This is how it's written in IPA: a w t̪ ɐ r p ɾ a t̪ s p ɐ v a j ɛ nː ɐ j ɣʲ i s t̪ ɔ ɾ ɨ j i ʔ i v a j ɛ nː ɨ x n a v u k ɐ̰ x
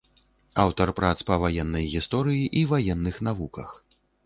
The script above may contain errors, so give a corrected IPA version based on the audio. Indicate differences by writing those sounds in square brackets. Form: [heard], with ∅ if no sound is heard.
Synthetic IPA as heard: a w t̪ ɐ r p ɾ a t̪ s p ɐ v a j ɛ nː ɐ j ɣʲ i s t̪ ɔ ɾ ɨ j i ʔ i v a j ɛ nː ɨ x n a v u k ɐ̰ x